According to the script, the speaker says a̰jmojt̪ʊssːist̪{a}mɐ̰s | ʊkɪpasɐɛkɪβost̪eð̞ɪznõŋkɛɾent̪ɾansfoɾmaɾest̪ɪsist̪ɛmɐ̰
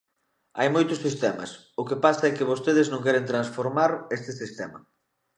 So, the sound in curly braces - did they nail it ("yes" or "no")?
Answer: no